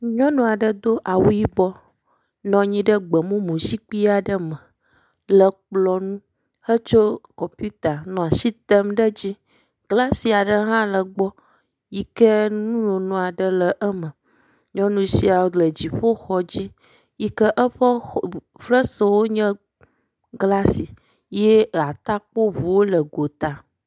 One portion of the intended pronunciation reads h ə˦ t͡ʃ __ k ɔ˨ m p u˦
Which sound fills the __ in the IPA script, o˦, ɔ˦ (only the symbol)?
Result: o˦